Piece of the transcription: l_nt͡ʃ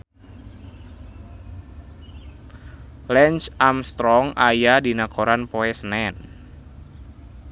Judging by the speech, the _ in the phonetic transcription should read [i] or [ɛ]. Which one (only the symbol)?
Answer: ɛ